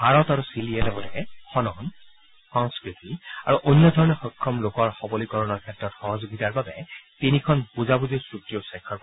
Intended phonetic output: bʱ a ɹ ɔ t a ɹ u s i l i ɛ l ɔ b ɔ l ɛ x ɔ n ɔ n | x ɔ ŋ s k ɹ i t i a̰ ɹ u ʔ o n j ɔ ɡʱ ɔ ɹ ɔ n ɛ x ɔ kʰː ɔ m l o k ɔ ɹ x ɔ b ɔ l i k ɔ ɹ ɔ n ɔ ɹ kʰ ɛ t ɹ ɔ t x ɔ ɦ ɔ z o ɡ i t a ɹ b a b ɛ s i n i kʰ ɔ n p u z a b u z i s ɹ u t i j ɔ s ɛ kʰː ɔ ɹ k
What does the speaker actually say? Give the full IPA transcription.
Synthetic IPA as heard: bʱ a ɹ ɔ t a ɹ u s i l i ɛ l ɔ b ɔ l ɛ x ɔ n ɔ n | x ɔ ŋ s k ɹ i t i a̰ ɹ u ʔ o n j ɔ dʱ ɔ ɹ ɔ n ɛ x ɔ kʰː ɔ m l o k ɔ ɹ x ɔ b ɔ l i k ɔ ɹ ɔ n ɔ ɹ kʰ ɛ t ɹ ɔ t x ɔ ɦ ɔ z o ɡ i t a ɹ b a b ɛ t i n i kʰ ɔ n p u z a b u z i s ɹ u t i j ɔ s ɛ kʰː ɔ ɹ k